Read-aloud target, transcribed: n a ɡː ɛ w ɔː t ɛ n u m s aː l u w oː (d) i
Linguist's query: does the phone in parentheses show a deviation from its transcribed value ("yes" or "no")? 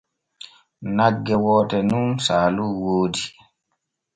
no